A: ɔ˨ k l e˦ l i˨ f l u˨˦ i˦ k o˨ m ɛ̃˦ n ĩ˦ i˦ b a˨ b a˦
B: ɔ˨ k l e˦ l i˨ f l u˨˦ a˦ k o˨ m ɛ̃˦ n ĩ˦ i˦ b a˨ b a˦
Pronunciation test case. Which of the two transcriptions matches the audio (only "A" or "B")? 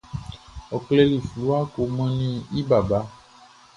B